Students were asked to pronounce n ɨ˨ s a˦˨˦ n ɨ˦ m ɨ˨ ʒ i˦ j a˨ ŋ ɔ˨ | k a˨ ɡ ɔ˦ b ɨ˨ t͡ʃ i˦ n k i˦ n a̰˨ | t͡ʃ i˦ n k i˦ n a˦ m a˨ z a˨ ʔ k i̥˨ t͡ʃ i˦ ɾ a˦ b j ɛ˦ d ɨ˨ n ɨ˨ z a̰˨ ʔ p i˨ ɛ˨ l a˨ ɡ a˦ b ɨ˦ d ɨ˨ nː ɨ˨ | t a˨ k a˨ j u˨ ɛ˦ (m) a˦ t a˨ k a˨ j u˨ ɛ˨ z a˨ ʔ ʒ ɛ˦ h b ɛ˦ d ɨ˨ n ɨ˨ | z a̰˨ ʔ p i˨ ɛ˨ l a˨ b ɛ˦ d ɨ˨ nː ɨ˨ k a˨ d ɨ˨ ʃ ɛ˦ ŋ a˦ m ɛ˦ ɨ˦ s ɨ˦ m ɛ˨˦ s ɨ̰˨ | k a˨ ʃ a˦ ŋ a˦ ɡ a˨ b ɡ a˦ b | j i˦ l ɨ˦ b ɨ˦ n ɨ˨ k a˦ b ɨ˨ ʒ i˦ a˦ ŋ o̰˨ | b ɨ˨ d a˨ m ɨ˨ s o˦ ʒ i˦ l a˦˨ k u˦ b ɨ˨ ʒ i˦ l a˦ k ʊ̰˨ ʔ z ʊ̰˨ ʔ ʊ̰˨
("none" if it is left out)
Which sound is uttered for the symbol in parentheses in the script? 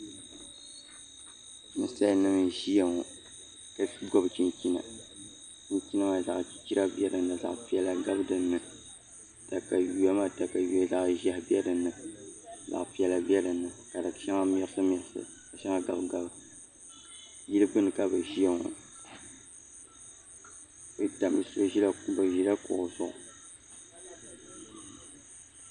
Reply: m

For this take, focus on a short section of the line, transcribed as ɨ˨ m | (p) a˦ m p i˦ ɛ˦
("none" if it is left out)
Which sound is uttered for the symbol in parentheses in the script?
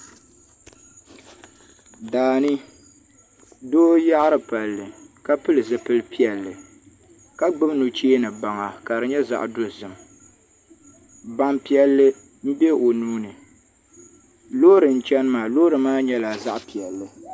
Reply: b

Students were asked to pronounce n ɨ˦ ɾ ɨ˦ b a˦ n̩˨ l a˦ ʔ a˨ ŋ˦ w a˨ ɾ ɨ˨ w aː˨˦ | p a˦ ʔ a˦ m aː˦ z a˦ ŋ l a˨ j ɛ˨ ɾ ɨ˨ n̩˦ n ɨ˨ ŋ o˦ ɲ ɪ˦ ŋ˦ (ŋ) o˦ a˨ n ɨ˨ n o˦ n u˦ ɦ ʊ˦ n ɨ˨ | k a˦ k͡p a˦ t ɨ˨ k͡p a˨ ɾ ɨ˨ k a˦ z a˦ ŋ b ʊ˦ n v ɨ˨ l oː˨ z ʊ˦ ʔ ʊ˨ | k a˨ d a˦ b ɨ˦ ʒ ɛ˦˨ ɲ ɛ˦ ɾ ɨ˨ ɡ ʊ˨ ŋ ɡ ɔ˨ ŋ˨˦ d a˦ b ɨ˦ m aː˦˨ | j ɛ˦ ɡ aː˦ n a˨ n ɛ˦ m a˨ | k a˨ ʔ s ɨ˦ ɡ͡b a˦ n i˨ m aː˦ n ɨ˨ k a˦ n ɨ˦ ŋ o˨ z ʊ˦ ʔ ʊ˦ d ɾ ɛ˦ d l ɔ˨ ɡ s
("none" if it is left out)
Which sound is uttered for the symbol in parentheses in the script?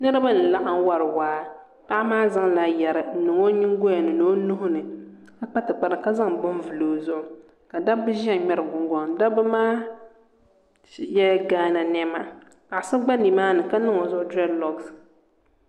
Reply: ɡ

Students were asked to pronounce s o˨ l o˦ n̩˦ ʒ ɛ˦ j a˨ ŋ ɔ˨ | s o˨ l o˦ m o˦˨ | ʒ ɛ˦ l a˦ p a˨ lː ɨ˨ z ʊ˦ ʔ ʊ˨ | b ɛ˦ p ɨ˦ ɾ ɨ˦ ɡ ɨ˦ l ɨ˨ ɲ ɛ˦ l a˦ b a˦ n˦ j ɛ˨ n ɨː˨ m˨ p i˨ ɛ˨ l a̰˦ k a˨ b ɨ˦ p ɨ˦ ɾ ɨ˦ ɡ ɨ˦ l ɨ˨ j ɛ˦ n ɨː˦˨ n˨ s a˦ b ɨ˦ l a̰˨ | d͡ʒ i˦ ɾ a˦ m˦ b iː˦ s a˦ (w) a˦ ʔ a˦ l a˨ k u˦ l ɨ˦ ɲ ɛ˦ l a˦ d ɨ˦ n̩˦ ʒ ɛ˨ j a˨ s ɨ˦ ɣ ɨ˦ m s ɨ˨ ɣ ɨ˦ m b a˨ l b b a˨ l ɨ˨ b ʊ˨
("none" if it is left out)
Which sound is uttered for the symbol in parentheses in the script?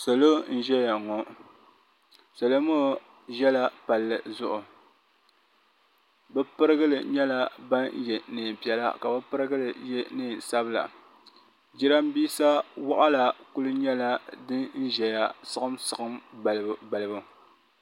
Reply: w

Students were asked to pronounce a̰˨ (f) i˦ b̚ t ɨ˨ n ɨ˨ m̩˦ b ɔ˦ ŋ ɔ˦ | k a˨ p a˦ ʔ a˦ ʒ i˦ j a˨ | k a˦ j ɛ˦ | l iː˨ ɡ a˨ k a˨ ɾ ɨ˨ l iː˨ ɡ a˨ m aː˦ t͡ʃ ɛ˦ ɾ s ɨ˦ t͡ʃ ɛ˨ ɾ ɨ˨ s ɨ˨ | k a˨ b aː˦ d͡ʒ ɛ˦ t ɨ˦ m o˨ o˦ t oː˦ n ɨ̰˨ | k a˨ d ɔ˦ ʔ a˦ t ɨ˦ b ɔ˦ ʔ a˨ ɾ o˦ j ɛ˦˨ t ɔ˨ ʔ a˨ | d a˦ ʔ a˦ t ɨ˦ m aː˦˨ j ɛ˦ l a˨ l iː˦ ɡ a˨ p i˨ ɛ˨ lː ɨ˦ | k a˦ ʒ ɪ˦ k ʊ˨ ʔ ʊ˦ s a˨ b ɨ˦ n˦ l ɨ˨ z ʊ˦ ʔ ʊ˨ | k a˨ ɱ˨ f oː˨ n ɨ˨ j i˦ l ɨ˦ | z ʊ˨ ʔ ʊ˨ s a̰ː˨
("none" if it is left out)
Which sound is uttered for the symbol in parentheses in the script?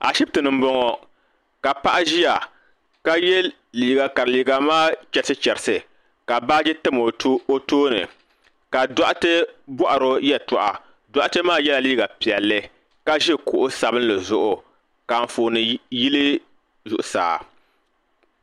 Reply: ʃ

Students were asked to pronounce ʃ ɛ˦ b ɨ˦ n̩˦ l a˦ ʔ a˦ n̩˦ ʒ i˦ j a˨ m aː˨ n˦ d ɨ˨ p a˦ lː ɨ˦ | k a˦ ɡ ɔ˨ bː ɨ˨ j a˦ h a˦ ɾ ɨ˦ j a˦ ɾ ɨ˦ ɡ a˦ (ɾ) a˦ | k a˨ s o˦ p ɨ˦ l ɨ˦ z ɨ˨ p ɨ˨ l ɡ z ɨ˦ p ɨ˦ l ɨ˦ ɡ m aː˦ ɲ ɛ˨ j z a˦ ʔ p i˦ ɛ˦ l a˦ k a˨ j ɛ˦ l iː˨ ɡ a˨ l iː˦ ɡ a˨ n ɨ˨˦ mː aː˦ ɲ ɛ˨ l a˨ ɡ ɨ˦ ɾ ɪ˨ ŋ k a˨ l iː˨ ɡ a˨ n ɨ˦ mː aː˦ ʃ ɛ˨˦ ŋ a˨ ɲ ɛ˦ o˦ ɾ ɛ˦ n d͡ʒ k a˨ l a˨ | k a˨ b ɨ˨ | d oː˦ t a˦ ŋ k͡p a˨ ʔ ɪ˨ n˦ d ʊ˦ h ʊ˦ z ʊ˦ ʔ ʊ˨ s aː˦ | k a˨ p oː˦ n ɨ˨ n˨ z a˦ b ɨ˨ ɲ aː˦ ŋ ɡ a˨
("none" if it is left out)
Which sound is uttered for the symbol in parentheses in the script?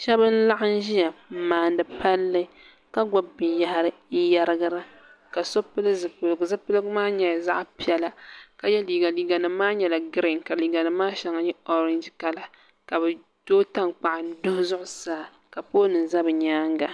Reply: ɾ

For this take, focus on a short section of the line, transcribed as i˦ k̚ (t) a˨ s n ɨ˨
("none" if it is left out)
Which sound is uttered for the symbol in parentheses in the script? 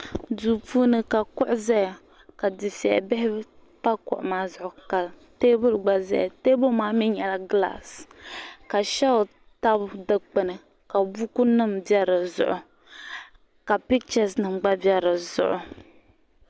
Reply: t͡ʃ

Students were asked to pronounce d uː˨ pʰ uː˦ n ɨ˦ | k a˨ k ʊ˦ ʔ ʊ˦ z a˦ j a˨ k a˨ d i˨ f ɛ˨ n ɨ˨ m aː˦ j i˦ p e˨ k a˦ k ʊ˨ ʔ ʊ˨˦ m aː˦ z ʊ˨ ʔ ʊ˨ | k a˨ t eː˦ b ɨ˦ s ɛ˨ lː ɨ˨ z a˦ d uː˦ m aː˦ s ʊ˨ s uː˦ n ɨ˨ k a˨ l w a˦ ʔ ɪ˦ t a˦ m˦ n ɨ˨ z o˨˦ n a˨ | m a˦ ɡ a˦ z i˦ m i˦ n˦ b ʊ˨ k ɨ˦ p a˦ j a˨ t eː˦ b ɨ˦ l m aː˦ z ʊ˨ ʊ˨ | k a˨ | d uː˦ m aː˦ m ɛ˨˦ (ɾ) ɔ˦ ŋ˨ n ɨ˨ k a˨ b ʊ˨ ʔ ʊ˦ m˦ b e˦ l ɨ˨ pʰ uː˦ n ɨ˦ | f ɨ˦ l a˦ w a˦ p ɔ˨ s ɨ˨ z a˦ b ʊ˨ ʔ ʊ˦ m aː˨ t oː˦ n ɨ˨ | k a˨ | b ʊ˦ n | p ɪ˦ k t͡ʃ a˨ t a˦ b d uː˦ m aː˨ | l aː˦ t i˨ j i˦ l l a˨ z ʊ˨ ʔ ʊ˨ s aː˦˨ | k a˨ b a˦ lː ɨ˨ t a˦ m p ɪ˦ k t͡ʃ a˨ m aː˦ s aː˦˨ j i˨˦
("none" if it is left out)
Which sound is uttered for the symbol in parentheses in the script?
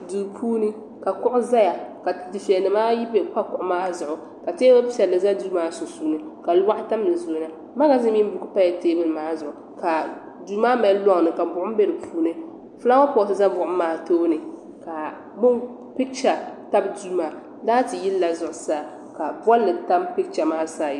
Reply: l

